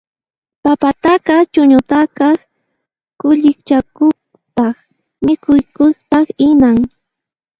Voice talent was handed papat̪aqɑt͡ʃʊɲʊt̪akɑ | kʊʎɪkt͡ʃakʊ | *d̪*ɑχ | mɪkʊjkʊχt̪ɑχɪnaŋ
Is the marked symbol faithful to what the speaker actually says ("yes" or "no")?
no